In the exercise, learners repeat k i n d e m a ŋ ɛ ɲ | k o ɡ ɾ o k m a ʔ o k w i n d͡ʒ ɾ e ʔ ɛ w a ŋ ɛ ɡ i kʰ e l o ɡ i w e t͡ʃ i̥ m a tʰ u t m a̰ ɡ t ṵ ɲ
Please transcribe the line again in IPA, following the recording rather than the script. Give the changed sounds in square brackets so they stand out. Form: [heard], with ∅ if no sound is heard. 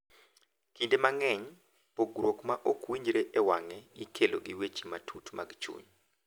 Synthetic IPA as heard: k i n d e m a ŋ ɛ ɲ | [p] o ɡ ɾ o k m a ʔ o k w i [ɲ] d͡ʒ ɾ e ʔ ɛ w a ŋ ɛ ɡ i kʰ e l o ɡ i w e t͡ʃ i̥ m a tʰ u t m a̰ ɡ [t͡ʃ] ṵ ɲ